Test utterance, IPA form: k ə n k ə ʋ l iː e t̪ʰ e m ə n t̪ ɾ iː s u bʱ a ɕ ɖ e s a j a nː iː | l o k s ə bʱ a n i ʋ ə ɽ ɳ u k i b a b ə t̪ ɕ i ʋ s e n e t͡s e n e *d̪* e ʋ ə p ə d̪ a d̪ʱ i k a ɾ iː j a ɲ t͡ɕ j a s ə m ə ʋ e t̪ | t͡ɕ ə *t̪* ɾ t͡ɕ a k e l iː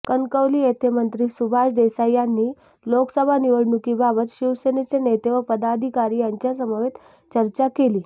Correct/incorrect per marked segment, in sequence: incorrect, incorrect

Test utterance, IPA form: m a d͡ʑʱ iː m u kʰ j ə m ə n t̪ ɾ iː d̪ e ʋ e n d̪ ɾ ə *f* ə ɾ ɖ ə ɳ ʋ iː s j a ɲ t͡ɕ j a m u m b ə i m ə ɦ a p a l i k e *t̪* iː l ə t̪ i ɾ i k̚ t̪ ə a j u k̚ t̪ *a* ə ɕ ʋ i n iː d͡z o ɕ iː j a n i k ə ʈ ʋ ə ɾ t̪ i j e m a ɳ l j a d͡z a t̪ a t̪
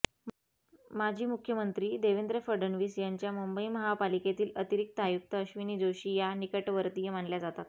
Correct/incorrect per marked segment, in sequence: correct, correct, incorrect

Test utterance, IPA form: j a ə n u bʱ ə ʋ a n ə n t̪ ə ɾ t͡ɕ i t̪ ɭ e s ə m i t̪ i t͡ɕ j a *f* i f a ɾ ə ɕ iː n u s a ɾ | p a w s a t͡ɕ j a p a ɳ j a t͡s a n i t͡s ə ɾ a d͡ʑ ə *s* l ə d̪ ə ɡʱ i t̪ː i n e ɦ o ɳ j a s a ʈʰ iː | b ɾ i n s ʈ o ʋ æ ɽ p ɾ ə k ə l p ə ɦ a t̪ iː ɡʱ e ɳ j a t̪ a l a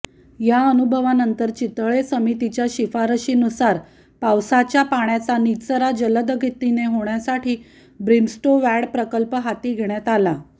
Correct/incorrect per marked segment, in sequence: incorrect, incorrect

